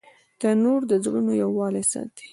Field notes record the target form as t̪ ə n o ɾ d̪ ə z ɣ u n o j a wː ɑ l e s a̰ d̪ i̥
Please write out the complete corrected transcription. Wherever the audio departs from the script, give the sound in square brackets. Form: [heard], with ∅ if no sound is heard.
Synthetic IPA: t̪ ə n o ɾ d̪ ə z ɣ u n o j a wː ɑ l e s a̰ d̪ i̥